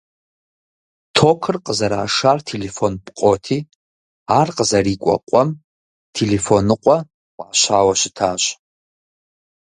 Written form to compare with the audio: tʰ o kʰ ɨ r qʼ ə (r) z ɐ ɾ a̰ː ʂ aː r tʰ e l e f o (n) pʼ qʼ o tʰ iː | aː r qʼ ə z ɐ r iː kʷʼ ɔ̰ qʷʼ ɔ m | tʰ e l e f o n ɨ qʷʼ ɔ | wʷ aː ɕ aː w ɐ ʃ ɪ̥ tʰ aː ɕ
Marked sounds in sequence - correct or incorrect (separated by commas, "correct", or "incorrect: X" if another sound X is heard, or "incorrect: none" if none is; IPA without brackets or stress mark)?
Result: incorrect: none, correct